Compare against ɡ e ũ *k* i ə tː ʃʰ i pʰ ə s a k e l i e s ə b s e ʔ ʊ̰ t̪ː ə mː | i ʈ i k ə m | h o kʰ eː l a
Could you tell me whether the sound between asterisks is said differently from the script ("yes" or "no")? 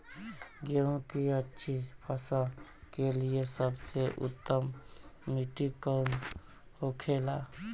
no